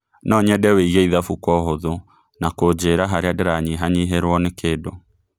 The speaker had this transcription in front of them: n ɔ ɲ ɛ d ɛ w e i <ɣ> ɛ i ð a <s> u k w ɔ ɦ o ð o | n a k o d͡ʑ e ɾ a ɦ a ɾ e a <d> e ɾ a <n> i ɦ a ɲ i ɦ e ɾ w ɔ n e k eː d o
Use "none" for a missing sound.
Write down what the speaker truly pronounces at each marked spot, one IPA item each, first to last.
ɣ, f, d, ɲ

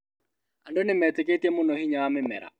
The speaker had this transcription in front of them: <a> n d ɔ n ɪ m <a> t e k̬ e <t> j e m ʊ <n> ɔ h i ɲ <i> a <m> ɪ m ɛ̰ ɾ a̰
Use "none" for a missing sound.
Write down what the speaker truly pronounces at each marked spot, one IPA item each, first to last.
a, ɛ, t, n, a, m

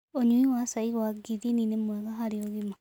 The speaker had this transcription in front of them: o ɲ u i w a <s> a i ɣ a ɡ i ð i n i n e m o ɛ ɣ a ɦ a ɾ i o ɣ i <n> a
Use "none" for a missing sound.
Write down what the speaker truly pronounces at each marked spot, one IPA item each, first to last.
s, m

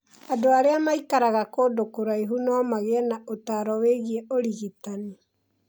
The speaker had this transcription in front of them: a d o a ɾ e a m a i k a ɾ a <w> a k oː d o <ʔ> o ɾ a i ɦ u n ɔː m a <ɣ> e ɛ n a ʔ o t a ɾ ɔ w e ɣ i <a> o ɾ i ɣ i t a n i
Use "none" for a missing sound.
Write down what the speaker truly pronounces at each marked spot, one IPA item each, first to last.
ɣ, k, ɣ, ɛ

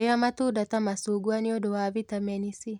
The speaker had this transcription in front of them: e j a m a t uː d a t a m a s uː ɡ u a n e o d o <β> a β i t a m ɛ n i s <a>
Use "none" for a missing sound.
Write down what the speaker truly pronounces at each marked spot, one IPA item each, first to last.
w, i

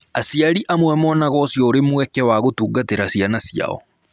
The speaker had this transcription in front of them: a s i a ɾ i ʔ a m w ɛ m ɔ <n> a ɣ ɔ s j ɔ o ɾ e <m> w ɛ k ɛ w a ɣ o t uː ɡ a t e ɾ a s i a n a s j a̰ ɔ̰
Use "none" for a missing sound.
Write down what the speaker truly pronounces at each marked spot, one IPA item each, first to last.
n, m

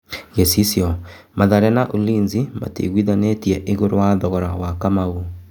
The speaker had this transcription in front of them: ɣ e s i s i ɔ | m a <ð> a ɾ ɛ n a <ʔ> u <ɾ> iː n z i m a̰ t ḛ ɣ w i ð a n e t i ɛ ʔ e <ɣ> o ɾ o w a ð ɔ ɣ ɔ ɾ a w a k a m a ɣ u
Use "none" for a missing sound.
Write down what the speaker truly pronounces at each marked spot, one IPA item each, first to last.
ð, ʔ, l, ɣ

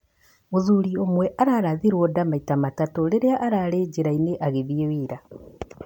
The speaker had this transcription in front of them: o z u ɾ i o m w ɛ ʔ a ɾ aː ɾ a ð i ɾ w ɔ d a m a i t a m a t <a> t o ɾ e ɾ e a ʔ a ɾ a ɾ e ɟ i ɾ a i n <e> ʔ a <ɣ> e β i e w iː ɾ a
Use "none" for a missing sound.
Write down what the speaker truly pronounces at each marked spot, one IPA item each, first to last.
a, e, ɣ

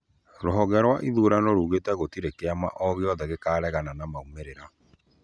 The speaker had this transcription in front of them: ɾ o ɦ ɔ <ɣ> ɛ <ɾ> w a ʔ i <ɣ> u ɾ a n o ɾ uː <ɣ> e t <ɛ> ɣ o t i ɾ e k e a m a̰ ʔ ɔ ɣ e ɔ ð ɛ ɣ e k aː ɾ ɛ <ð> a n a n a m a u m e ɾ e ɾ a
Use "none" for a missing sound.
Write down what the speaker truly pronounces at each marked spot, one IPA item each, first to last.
ɣ, ɾ, ð, ɣ, ɛ, ɣ

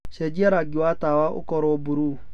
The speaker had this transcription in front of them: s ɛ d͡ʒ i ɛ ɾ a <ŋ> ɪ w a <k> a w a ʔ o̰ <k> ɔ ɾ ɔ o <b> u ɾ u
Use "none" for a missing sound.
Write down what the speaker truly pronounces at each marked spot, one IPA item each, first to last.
ɡ, t, k, b

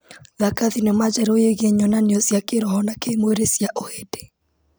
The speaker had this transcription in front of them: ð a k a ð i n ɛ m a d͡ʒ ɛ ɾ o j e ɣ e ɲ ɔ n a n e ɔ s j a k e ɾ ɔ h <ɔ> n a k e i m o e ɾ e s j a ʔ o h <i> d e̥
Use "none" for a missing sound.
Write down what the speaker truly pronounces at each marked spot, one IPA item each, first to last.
ɔ, e

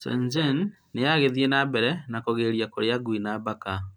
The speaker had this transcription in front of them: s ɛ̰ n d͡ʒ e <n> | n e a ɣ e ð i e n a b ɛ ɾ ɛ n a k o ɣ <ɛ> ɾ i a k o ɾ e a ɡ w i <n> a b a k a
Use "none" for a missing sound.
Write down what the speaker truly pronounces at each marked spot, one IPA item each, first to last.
n, e, n

